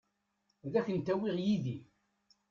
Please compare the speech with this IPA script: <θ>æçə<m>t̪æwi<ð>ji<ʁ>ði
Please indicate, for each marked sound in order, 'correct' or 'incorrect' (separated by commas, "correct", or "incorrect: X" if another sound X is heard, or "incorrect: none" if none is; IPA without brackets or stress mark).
incorrect: ð, incorrect: n, incorrect: ʁ, incorrect: none